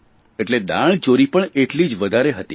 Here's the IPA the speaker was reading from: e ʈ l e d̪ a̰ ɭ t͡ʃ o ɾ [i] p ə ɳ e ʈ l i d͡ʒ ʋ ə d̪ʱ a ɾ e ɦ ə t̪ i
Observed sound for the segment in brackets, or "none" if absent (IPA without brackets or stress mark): i